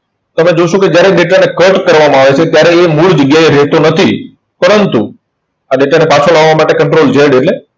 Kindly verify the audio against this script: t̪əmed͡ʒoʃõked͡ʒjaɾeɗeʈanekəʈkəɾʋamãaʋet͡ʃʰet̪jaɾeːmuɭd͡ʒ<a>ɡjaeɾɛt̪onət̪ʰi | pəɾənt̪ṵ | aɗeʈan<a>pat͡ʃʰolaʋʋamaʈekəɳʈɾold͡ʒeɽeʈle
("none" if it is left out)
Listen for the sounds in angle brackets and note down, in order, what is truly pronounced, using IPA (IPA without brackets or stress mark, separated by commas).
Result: ə, e